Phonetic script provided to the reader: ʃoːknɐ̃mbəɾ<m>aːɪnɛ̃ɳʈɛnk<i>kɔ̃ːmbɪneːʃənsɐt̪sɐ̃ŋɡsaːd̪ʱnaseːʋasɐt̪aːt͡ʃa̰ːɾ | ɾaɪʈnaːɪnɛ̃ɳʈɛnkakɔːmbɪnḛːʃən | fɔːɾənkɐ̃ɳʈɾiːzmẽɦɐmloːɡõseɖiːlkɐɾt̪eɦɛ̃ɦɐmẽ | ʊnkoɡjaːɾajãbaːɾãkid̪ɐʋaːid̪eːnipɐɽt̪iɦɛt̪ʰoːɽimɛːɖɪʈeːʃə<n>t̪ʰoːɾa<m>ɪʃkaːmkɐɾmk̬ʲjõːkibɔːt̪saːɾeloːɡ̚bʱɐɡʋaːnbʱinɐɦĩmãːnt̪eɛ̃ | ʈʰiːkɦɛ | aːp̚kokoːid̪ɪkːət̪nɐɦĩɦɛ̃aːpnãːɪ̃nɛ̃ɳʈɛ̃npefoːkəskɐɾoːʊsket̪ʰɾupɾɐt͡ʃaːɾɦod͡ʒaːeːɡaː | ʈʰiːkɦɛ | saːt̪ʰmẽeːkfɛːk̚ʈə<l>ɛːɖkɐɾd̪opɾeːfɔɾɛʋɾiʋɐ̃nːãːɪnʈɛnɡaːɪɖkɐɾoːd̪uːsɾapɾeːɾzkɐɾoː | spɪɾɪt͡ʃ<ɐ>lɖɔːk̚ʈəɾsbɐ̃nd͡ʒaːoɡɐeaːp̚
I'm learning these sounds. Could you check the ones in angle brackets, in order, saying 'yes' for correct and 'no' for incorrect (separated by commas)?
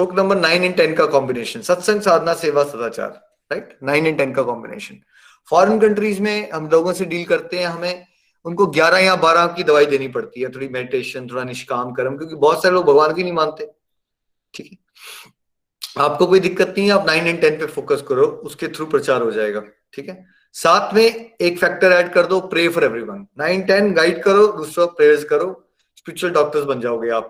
no, no, yes, no, no, no